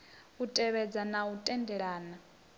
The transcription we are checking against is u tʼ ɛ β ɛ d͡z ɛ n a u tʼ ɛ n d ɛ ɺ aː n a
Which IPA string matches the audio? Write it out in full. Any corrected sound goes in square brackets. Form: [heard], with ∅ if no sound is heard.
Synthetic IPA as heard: u tʼ ɛ β ɛ d͡z [a] n a u tʼ ɛ n d ɛ ɺ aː n a